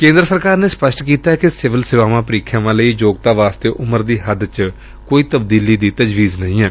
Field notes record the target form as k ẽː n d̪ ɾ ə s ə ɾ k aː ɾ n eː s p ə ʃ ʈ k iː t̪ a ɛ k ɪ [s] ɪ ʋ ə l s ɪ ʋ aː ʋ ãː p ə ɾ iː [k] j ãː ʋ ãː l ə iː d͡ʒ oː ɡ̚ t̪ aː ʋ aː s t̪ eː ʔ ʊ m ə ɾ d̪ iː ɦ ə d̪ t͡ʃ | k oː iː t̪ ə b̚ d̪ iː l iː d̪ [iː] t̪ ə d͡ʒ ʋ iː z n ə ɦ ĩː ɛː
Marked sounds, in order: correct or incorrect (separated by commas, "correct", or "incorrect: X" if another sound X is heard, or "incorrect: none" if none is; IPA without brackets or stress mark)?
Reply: correct, incorrect: kʰ, correct